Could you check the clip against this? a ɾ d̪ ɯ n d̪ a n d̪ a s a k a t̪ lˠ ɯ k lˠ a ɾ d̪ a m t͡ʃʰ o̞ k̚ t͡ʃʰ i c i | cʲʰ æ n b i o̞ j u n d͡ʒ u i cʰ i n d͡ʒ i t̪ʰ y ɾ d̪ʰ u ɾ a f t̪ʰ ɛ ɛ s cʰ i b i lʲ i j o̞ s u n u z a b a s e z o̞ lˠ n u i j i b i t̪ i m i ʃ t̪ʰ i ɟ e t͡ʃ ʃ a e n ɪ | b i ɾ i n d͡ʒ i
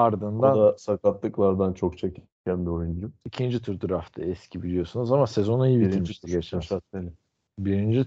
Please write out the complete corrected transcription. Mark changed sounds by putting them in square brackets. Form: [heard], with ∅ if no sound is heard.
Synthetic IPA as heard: a ɾ d̪ ɯ n d̪ a n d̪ a s a k a t̪ lˠ ɯ k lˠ a ɾ d̪ a [n] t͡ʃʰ o̞ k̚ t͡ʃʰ [e] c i | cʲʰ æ n b i o̞ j u n d͡ʒ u i cʰ i n d͡ʒ i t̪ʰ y ɾ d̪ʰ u ɾ a f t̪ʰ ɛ ɛ s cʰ i b i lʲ i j o̞ s u n u z a [m] a s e z o̞ [∅] n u i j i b i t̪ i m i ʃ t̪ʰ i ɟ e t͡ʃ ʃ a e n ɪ | b i ɾ i n d͡ʒ i